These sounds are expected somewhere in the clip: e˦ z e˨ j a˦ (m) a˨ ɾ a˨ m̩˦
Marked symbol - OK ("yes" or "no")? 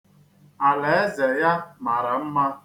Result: yes